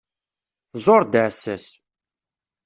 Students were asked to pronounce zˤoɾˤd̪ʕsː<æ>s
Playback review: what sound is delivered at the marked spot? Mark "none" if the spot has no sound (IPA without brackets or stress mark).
æ